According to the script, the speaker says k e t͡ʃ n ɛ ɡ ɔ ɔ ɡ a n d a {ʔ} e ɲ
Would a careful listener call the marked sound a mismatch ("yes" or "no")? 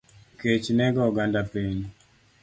yes